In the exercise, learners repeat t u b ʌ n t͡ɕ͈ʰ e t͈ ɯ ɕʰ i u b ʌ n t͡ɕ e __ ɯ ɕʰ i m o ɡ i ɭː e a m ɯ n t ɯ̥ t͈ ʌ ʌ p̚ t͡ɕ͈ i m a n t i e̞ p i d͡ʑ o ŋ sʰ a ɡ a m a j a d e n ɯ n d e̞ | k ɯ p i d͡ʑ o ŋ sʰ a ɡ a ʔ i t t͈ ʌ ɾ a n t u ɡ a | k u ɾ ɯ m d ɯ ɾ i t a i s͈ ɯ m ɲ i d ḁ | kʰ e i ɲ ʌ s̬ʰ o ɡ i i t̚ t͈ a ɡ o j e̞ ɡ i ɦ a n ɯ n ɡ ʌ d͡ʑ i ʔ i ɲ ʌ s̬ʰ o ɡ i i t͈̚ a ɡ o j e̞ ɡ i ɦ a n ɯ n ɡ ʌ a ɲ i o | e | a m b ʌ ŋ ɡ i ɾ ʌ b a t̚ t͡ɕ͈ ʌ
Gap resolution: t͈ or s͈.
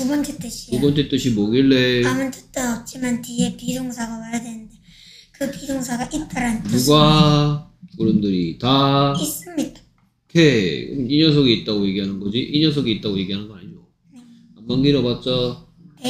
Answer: t͈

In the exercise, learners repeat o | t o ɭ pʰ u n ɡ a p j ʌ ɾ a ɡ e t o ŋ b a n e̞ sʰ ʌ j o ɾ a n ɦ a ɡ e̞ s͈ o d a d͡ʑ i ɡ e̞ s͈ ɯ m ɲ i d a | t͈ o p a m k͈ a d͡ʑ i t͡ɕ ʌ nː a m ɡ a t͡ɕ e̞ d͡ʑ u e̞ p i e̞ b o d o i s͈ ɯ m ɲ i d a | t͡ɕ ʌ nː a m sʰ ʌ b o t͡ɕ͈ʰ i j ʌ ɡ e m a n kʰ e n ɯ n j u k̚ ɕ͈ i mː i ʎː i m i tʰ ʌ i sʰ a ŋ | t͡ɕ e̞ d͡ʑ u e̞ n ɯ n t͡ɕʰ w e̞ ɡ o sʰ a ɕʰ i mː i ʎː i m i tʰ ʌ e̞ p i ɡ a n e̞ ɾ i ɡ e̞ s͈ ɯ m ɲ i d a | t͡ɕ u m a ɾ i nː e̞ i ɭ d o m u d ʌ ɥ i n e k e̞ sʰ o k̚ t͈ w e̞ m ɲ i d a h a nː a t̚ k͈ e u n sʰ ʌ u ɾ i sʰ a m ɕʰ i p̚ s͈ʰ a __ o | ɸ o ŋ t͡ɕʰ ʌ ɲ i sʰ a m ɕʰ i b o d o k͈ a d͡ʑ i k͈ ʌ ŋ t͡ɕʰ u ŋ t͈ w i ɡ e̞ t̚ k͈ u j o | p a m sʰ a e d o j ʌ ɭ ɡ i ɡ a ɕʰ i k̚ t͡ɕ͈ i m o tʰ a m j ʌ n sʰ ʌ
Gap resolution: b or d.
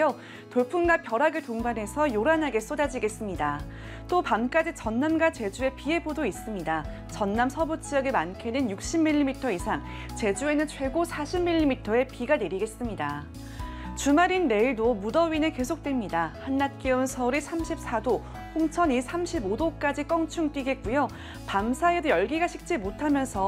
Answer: d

